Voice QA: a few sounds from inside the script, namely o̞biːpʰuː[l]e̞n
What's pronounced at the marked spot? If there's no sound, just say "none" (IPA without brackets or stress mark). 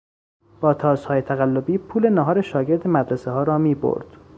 l